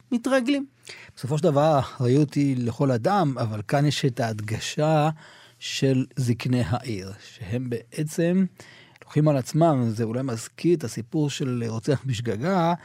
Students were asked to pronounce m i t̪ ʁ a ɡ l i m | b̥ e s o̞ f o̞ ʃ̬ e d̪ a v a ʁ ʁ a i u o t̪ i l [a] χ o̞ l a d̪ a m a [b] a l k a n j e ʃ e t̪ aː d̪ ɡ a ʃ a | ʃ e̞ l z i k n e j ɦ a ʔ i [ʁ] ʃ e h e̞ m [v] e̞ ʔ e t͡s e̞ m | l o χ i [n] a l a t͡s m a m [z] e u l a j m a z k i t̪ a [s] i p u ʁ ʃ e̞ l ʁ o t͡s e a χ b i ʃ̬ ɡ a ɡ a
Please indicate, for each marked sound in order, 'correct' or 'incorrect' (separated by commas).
incorrect, incorrect, correct, incorrect, incorrect, correct, correct